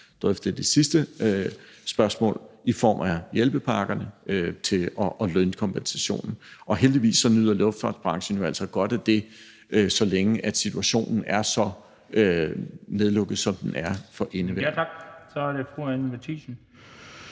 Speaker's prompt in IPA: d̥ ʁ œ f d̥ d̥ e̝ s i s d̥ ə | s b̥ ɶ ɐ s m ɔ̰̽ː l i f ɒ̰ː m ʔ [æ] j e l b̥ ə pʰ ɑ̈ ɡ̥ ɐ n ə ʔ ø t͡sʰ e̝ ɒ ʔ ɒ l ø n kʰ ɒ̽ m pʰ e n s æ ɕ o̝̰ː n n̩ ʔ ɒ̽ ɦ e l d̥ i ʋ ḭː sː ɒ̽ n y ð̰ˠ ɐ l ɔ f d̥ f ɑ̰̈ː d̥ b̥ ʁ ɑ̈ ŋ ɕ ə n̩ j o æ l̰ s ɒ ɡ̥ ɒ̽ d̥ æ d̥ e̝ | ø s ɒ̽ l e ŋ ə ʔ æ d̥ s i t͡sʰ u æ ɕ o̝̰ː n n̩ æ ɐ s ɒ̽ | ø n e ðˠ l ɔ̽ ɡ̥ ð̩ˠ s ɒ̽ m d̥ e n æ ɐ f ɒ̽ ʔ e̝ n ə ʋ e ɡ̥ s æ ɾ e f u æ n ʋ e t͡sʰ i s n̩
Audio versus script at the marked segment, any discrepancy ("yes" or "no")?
no